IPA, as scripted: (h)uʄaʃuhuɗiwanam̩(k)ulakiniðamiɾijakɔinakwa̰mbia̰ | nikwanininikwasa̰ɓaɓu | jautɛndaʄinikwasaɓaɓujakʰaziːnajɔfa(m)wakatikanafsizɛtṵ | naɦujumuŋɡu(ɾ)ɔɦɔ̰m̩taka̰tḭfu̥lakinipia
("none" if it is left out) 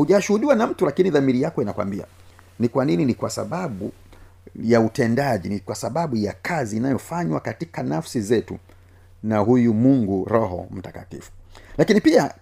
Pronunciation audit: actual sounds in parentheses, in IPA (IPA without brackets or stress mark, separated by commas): h, t, ɲ, ɾ